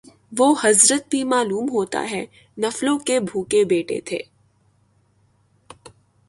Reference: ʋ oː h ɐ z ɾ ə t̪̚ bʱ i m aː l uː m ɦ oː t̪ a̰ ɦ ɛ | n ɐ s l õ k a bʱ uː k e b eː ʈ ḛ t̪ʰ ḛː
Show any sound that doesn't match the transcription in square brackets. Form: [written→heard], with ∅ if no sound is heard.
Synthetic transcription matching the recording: ʋ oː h ɐ z ɾ ə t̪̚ bʱ i m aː l uː m ɦ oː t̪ a̰ ɦ ɛ | n ɐ [s→f] l õ k [a→e] bʱ uː k e b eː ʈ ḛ t̪ʰ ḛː

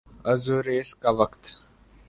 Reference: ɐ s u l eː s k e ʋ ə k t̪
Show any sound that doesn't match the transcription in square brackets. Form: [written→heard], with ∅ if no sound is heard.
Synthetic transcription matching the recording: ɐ [s→z] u [l→ɾ] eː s k [e→a] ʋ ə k t̪

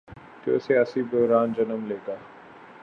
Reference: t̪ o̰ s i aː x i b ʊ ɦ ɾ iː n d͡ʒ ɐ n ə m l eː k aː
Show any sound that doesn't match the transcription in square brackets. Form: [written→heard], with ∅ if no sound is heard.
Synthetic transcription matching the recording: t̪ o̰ s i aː [x→s] i b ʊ ɦ ɾ [iː→aː] n d͡ʒ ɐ n ə m l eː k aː

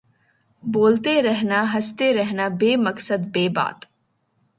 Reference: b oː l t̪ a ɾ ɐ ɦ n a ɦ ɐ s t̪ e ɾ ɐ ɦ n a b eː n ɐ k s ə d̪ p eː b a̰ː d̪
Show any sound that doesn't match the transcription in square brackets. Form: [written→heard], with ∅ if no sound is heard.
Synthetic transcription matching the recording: b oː l t̪ [a→e] ɾ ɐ ɦ n a ɦ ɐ s t̪ e ɾ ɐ ɦ n a b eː [n→m] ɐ k s ə d̪ [p→b] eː b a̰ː [d̪→t̪]

